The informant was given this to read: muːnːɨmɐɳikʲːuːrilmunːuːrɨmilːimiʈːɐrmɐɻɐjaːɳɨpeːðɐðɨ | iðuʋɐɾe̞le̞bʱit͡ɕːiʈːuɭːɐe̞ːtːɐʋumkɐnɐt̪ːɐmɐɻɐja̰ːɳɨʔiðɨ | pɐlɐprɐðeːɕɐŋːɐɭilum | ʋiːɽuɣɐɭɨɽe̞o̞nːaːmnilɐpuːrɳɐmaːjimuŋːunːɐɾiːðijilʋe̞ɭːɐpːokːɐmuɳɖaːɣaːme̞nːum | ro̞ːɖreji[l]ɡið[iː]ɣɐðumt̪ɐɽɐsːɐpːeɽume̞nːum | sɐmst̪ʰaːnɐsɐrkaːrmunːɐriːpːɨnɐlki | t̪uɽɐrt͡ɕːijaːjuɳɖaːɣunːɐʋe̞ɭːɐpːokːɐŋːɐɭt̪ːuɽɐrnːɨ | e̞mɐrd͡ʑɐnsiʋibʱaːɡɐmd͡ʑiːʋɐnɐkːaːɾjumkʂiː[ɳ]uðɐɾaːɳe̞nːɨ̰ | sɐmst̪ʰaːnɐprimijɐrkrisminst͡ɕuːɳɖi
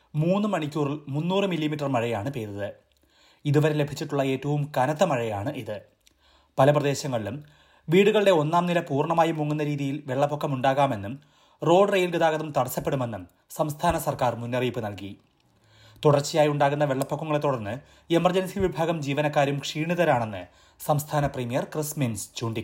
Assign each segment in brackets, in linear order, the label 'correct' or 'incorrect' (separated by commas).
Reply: correct, incorrect, correct